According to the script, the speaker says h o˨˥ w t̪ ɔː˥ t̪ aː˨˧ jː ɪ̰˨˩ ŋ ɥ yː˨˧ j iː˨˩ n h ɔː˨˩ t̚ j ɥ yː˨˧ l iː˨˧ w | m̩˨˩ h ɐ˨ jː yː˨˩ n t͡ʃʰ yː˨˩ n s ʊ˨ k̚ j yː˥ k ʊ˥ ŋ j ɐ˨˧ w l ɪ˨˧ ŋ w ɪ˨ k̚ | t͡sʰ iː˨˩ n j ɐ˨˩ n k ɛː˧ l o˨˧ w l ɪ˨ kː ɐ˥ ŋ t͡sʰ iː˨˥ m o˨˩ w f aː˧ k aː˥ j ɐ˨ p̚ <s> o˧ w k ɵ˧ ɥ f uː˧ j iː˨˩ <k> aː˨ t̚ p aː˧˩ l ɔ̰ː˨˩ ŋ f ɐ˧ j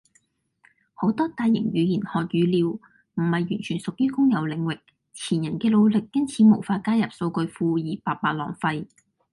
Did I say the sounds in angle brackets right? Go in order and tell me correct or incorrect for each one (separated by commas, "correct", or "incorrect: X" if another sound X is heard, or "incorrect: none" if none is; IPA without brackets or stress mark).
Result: correct, incorrect: p